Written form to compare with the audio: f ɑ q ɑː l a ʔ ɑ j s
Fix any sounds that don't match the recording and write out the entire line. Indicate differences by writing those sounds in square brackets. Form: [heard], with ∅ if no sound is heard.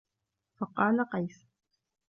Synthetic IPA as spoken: f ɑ q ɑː l a [q] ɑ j s